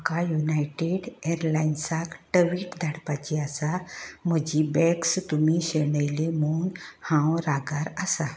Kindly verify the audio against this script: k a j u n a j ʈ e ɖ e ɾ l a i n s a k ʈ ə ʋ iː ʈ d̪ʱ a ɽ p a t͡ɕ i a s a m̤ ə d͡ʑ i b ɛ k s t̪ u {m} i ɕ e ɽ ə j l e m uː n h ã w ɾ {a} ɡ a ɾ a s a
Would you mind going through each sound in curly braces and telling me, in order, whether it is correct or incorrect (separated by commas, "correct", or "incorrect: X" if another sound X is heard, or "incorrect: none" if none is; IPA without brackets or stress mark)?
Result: correct, correct